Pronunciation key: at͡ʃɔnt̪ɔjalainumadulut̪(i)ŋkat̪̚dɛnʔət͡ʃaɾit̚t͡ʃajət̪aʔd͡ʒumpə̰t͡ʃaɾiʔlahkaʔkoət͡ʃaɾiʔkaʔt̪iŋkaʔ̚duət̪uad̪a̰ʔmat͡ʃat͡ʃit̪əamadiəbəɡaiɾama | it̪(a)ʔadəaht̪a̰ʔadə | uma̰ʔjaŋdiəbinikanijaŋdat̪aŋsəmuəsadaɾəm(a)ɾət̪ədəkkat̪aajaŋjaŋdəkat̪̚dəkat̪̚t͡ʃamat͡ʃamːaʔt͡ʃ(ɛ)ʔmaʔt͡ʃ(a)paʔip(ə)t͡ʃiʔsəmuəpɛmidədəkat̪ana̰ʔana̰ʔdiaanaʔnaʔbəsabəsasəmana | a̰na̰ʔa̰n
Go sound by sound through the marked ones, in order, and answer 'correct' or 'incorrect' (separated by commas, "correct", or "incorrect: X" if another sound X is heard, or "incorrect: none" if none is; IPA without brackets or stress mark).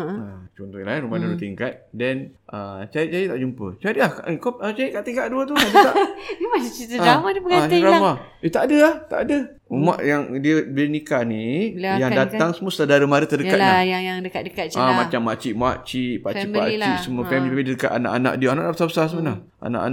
correct, correct, correct, incorrect: i, incorrect: i, incorrect: a